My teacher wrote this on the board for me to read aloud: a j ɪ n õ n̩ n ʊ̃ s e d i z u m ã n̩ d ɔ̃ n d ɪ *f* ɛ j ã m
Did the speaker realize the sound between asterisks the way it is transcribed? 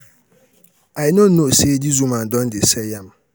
no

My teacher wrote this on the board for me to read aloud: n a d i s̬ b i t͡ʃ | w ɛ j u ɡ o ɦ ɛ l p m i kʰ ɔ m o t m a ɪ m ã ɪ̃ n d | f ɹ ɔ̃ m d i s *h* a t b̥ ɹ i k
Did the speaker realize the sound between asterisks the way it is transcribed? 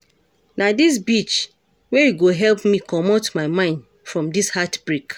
yes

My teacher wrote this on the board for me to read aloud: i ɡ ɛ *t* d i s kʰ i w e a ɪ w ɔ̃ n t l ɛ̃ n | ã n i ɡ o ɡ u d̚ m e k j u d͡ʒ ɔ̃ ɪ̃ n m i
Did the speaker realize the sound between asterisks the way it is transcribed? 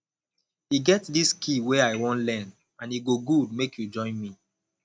yes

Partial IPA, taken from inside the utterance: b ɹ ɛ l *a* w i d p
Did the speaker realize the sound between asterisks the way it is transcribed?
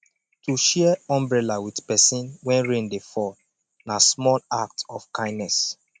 yes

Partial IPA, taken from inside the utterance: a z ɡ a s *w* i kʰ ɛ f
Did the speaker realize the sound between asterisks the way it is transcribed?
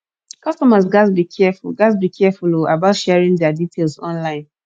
no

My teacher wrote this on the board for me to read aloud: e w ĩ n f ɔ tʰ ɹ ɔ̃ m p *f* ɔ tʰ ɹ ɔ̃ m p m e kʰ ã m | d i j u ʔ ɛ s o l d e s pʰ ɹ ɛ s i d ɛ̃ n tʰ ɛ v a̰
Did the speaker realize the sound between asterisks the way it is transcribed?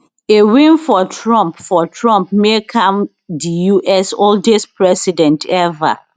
yes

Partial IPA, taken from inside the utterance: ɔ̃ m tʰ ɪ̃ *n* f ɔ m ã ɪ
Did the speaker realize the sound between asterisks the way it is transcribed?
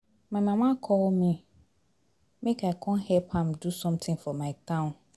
no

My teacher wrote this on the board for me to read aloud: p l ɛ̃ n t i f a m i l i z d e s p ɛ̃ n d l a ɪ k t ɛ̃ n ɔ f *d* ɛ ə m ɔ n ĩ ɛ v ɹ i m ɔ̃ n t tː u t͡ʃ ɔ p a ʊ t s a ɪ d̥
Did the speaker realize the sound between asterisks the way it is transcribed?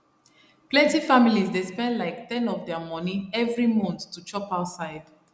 yes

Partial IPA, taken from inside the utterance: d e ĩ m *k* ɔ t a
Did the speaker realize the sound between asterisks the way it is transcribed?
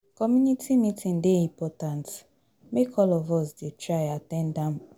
no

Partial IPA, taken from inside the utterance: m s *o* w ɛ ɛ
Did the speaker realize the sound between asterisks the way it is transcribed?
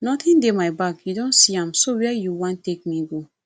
yes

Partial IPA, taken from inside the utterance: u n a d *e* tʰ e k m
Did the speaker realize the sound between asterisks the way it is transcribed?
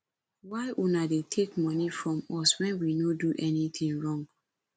yes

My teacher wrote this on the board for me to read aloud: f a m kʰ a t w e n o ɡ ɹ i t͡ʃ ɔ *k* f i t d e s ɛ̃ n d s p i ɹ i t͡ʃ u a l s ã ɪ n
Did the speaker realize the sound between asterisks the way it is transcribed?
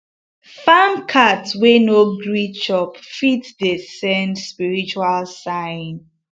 no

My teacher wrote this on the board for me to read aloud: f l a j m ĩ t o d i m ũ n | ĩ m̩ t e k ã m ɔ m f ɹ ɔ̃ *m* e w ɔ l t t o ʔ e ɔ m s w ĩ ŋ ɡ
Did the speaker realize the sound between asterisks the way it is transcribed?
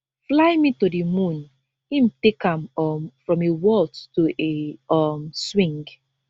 yes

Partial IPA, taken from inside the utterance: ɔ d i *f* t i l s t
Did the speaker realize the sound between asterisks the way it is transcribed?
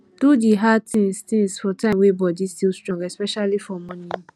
no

